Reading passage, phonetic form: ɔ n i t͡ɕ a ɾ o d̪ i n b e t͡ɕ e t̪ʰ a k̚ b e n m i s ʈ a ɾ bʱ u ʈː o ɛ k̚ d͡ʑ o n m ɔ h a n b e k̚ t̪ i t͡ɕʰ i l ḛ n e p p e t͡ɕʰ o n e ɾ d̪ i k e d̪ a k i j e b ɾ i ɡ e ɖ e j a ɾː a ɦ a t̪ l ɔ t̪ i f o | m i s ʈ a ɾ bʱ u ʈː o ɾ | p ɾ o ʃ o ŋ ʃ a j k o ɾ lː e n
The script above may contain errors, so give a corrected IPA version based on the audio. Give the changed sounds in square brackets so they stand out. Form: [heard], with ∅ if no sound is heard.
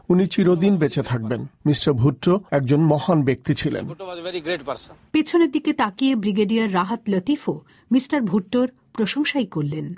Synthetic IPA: [u] n i t͡ɕ [i] ɾ o d̪ i n b e t͡ɕ e t̪ʰ a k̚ b e n m i s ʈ a ɾ bʱ u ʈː o ɛ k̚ d͡ʑ o n m ɔ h a n b e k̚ t̪ i t͡ɕʰ i l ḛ n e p p e t͡ɕʰ o n e ɾ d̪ i k e [t̪] a k i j e b ɾ i ɡ e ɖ [i] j a ɾː a ɦ a t̪ l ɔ t̪ i f o | m i s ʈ a ɾ bʱ u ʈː o ɾ | p ɾ o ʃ o ŋ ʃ a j k o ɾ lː e n